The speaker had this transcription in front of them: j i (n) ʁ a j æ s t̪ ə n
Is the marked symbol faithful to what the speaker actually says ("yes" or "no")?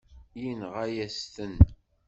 yes